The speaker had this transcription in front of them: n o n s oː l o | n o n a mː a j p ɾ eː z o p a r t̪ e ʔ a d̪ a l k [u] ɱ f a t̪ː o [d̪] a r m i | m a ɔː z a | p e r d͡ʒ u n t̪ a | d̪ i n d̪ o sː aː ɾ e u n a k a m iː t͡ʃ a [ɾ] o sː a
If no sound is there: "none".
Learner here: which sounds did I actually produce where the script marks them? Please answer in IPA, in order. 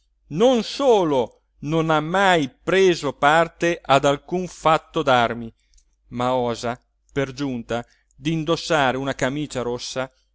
u, d̪, ɾ

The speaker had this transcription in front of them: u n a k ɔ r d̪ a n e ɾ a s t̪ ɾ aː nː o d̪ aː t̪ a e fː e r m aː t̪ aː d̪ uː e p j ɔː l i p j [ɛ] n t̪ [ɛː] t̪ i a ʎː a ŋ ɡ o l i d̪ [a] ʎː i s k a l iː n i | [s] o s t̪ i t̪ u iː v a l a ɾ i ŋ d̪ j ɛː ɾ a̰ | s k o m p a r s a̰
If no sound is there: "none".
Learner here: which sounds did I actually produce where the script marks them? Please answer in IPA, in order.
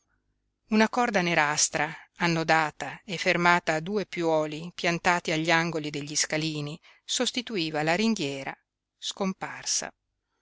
a, aː, e, s

